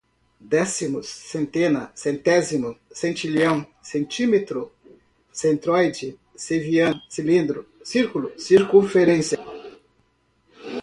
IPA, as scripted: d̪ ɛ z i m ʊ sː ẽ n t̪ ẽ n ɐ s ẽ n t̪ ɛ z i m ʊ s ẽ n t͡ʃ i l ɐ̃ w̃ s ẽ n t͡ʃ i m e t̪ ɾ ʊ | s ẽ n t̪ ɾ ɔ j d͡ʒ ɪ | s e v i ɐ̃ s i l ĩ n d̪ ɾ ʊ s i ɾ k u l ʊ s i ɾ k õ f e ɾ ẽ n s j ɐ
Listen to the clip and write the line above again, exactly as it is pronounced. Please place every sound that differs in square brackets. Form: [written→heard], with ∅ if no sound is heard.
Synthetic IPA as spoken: d̪ ɛ [z→s] i m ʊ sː ẽ n t̪ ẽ n ɐ s ẽ n t̪ ɛ z i m ʊ s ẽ n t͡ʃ i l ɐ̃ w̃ s ẽ n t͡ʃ i m e t̪ ɾ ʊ | s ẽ n t̪ ɾ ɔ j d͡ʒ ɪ | s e v i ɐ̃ s i l ĩ n d̪ ɾ ʊ s i ɾ k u l ʊ s i ɾ k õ f e ɾ ẽ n s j ɐ